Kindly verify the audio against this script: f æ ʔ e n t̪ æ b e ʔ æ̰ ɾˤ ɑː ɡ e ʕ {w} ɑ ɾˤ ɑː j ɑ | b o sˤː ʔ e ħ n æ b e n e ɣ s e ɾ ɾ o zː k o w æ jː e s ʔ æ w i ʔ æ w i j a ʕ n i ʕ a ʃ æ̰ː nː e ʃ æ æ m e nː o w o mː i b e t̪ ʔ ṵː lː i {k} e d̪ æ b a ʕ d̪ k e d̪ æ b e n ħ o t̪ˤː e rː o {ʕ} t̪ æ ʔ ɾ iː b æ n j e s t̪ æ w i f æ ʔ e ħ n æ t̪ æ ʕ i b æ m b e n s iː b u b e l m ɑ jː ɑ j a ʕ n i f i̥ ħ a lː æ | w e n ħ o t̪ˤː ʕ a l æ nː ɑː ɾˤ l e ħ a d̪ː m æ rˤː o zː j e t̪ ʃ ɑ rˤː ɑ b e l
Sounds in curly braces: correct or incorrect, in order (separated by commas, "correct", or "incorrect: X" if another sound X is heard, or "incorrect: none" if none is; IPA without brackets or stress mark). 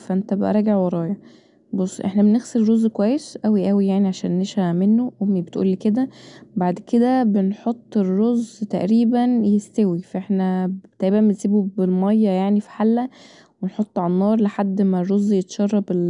correct, correct, incorrect: z